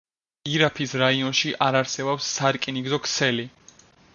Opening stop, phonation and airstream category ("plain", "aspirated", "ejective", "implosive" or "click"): aspirated